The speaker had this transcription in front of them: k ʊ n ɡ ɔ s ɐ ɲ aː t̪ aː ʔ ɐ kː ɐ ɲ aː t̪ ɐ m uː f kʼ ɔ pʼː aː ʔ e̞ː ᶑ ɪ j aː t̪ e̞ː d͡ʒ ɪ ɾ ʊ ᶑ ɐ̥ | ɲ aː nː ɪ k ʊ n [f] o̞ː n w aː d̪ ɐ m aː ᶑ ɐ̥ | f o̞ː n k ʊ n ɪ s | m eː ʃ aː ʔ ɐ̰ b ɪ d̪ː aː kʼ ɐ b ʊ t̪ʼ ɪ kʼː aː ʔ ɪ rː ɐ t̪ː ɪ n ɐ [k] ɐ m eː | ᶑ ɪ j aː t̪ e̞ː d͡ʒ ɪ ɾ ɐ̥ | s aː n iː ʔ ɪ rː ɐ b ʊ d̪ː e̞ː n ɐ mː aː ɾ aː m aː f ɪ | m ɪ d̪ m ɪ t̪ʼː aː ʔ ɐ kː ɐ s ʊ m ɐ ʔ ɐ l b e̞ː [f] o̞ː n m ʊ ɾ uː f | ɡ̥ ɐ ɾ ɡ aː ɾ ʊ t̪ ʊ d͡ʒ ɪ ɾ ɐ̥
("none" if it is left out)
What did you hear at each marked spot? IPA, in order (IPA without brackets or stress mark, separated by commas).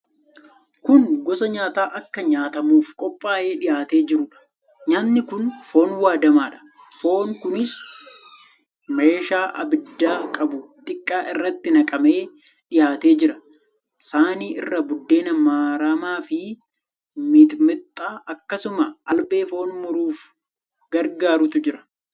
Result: f, kʼ, f